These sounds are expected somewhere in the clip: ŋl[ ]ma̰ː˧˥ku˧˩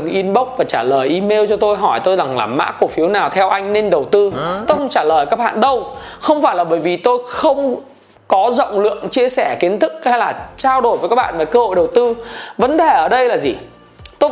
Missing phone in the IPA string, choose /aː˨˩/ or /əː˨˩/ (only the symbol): aː˨˩